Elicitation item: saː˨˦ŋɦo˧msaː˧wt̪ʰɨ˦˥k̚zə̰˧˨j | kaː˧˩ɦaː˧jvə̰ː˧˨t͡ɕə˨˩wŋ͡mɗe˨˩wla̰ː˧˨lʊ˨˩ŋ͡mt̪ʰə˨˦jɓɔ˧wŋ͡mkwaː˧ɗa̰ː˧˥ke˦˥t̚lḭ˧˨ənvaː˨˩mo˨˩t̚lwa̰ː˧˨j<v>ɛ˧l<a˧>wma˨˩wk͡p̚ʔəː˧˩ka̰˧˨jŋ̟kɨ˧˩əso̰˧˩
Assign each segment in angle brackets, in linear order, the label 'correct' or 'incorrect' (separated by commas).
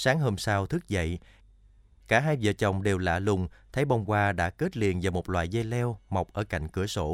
incorrect, incorrect